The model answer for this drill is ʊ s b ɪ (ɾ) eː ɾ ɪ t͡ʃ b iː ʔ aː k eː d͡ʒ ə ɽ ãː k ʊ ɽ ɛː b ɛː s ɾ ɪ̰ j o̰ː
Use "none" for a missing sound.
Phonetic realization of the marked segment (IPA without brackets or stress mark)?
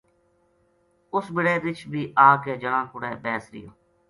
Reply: ɽ